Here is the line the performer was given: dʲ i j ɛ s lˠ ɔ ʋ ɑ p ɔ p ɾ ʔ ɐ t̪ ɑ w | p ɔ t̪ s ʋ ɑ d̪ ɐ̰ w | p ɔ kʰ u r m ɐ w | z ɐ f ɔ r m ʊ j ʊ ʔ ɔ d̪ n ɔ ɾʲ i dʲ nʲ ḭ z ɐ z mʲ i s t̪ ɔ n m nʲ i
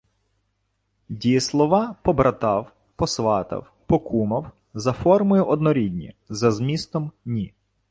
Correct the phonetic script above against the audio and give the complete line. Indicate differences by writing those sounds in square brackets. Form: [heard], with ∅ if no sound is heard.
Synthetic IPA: dʲ i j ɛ s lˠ ɔ ʋ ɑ p ɔ [b] ɾ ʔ ɐ t̪ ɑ w | p ɔ [∅] s ʋ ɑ [t̪] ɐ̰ w | p ɔ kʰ u [∅] m ɐ w | z ɐ f ɔ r m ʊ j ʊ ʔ ɔ d̪ n ɔ ɾʲ i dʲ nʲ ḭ z ɐ z mʲ i s t̪ ɔ [∅] m nʲ i